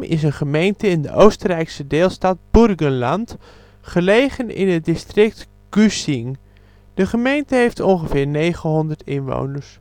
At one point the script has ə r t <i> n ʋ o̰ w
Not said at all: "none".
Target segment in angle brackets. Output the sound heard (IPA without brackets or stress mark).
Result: ɪ